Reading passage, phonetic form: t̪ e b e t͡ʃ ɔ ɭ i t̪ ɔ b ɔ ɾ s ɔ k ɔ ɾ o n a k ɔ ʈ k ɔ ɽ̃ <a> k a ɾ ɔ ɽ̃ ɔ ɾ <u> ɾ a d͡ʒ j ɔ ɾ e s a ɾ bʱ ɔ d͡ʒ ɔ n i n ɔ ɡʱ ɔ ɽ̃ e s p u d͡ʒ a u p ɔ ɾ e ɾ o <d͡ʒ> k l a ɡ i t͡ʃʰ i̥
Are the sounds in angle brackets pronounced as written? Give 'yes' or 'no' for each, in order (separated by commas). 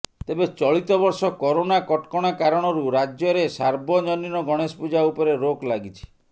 yes, yes, no